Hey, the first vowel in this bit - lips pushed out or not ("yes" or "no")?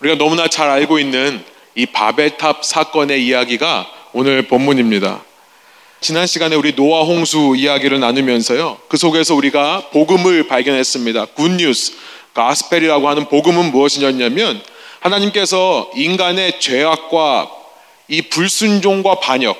yes